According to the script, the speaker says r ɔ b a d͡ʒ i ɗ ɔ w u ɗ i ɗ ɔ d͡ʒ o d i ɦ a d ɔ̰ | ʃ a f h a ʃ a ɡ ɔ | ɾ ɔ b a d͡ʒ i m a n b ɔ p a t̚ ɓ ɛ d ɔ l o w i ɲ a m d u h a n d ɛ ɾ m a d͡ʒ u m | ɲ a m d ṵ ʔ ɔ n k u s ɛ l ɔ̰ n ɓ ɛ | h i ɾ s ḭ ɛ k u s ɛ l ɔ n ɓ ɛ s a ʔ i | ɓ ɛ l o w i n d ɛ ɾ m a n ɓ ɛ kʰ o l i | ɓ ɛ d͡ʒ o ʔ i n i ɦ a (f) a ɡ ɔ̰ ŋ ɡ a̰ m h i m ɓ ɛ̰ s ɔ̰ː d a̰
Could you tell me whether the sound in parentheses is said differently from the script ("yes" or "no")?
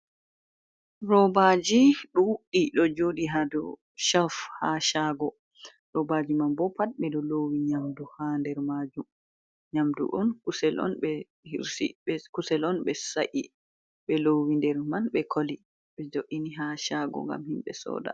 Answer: yes